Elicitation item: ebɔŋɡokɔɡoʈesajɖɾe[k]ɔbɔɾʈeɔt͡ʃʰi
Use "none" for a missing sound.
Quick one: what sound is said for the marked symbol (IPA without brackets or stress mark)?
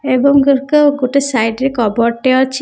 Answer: k